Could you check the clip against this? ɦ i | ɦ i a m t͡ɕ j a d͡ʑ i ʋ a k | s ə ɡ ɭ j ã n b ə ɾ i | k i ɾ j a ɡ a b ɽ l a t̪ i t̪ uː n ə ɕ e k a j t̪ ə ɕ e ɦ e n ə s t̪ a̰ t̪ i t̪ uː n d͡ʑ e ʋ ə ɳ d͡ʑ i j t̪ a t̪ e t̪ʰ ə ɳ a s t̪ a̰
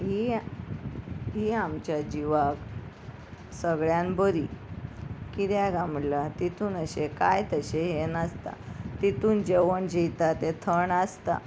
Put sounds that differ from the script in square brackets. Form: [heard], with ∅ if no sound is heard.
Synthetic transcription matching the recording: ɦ i | ɦ i a m t͡ɕ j a d͡ʑ i ʋ a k | s ə ɡ ɭ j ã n b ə ɾ i | k i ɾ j a ɡ a [m] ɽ l a t̪ i t̪ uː n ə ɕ e k a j t̪ ə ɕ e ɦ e n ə s t̪ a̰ t̪ i t̪ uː n d͡ʑ e ʋ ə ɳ d͡ʑ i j t̪ a t̪ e t̪ʰ ə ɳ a s t̪ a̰